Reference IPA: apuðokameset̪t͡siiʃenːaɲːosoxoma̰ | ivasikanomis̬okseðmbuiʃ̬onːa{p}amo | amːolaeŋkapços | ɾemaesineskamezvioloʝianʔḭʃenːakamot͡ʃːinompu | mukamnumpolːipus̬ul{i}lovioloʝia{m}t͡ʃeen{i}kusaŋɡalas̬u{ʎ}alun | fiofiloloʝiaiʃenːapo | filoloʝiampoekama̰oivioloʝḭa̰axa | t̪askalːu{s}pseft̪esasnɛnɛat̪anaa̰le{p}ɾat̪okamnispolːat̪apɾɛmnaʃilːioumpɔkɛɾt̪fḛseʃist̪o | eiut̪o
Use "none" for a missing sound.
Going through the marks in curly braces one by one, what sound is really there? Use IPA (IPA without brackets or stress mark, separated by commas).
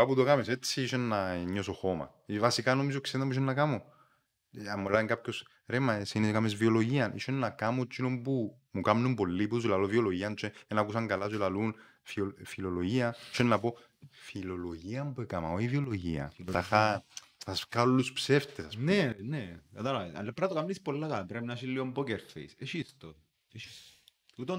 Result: k, a, n, a, l, s, p